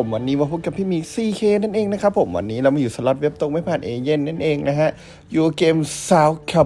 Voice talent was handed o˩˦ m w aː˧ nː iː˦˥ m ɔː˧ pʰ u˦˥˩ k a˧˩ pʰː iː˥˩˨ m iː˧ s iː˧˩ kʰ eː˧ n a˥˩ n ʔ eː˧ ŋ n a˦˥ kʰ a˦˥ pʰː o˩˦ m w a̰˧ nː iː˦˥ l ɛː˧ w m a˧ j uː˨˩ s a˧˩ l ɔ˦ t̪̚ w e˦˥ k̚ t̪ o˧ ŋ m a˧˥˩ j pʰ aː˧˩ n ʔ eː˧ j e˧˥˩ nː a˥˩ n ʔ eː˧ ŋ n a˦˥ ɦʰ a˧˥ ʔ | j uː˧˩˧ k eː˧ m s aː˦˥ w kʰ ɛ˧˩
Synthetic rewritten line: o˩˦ m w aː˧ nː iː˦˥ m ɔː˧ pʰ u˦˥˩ k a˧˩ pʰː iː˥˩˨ m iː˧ s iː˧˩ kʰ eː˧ n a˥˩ n ʔ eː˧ ŋ n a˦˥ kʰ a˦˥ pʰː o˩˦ m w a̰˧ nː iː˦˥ l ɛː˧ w m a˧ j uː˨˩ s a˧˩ l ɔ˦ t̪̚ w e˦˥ p̚ t̪ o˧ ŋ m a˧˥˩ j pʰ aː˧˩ n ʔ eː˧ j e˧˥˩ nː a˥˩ n ʔ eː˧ ŋ n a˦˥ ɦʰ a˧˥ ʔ | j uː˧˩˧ k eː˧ m s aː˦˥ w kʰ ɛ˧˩

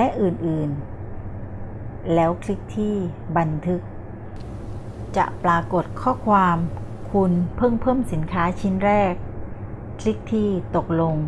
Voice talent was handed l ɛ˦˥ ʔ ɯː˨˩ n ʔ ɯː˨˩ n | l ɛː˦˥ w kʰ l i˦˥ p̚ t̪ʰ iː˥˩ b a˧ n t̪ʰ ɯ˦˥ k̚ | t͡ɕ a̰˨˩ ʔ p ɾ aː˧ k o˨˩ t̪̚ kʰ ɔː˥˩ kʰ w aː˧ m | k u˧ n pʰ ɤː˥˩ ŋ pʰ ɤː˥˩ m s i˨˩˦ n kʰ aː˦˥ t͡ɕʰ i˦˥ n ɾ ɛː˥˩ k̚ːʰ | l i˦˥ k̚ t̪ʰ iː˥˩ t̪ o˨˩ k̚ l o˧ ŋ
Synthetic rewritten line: l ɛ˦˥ ʔ ɯː˨˩ n ʔ ɯː˨˩ n | l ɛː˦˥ w kʰ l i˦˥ k̚ t̪ʰ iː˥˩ b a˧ n t̪ʰ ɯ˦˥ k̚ | t͡ɕ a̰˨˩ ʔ p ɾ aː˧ k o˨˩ t̪̚ kʰ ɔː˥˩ kʰ w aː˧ m | kʰ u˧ n pʰ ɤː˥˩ ŋ pʰ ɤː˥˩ m s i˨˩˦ n kʰ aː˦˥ t͡ɕʰ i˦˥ n ɾ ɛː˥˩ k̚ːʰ | l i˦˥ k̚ t̪ʰ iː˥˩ t̪ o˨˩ k̚ l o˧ ŋ

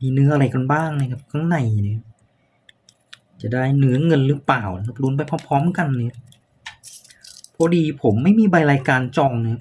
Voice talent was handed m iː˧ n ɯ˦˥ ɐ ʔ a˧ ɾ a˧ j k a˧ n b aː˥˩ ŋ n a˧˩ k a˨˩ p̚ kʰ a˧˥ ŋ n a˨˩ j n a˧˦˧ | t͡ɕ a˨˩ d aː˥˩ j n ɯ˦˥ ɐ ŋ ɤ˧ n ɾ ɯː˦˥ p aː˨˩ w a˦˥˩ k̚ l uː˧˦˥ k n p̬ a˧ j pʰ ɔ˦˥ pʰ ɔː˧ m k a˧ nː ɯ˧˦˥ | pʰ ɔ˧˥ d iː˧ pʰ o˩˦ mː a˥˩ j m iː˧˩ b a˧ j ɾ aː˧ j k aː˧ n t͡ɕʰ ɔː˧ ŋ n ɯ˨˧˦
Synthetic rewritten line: m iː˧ n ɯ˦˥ ɐ ʔ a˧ ɾ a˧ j k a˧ n b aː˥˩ ŋ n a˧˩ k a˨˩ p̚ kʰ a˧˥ ŋ n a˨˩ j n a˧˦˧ | t͡ɕ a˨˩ d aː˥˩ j n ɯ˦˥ ɐ ŋ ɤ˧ n ɾ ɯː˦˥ p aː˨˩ w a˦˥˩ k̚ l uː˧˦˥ n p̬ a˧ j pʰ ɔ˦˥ pʰ ɔː˦˥ m k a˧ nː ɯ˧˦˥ | pʰ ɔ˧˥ d iː˧ pʰ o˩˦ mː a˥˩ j m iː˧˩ b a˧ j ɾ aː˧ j k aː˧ n t͡ɕ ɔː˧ ŋ n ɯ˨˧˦

